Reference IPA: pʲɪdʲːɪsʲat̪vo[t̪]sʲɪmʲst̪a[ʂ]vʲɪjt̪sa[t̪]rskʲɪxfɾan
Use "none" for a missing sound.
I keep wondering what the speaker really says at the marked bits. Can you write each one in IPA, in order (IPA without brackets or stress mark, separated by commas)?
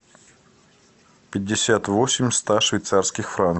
none, ʂ, none